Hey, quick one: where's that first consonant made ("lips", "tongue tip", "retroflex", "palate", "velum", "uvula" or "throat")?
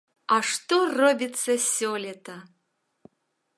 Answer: retroflex